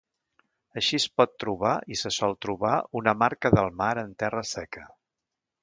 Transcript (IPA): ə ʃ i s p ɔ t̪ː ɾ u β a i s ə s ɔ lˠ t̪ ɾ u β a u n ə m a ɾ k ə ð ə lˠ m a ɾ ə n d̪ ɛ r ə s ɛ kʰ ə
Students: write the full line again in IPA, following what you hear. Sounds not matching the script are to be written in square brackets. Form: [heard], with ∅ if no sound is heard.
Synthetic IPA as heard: ə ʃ i s p ɔ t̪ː ɾ u β a i s ə s ɔ lˠ t̪ ɾ u β a u n ə m a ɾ k ə ð ə lˠ m a ɾ ə n [t̪] ɛ r ə s ɛ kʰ ə